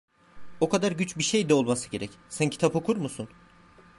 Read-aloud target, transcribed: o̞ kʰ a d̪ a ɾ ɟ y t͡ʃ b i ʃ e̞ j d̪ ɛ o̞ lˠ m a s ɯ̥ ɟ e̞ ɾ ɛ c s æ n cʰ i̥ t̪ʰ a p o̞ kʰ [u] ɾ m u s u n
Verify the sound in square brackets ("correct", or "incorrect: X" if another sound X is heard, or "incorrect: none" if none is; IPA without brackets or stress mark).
correct